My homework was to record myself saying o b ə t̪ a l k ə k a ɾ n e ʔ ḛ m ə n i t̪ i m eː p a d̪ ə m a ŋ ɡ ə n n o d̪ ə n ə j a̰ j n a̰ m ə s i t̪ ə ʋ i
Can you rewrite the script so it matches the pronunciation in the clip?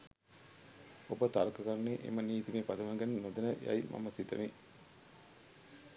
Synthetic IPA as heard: o b ə t̪ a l k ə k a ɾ n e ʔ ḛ m ə n iː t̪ i m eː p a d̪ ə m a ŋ ɡ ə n n o d̪ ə n ə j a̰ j m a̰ m ə s i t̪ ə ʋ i

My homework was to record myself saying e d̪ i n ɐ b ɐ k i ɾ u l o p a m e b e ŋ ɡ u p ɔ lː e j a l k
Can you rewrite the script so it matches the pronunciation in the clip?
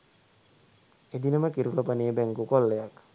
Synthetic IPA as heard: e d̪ i n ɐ m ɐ k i ɾ u l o p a n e b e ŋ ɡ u k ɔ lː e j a k

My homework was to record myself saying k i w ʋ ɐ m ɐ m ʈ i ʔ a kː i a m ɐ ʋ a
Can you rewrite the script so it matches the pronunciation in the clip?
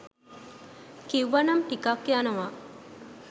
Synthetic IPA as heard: k i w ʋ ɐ n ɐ m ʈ i k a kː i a n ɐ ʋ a

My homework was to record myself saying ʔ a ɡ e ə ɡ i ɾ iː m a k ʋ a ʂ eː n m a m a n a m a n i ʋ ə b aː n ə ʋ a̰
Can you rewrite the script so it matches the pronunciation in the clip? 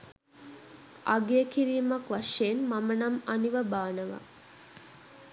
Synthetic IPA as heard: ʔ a ɡ e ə k i ɾ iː m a k ʋ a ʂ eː n m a m ə n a m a n i ʋ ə b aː n ə ʋ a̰

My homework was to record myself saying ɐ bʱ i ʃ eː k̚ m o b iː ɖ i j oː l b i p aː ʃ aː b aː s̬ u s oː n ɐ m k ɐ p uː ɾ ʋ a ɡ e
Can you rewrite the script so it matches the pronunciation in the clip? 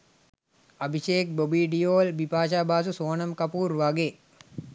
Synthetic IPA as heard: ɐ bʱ i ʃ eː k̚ b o b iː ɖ i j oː l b i p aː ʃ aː b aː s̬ u s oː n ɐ m k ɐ p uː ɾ ʋ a ɡ e

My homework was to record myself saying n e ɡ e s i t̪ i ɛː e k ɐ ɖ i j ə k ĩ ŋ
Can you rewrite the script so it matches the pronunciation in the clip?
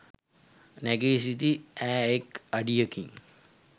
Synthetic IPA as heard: n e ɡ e s i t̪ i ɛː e k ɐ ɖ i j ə k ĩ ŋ

